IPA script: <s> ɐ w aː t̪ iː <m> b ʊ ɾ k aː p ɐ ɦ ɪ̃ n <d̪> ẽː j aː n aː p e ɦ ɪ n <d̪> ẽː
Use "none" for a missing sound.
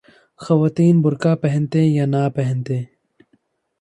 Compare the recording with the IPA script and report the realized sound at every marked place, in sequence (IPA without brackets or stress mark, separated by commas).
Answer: x, n, t̪, t̪